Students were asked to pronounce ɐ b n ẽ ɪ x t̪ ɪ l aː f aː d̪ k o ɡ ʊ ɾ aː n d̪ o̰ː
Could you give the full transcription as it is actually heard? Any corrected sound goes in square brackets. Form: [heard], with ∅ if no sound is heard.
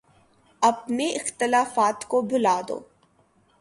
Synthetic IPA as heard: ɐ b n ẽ ɪ x t̪ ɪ l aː f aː [t̪] k o [b] ʊ [l] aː [∅] d̪ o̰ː